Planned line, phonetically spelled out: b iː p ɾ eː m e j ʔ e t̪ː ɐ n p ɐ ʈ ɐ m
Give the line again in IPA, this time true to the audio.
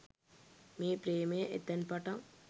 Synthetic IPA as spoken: m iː p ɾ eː m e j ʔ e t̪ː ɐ n p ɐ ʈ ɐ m